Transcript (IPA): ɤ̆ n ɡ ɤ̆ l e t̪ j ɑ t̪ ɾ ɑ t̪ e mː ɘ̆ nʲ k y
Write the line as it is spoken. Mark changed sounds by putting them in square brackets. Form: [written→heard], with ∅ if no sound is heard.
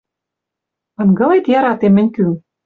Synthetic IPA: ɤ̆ n ɡ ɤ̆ l e t̪ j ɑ [t̪→∅] ɾ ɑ t̪ e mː ɘ̆ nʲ k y